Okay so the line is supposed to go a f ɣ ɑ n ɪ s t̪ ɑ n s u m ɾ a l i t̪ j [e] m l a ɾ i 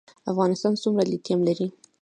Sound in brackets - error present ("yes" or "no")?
yes